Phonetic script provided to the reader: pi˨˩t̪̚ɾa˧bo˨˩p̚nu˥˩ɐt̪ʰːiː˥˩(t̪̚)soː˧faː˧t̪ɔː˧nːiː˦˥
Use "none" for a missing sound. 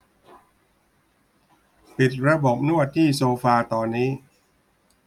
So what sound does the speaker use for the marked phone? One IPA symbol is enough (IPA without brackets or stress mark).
none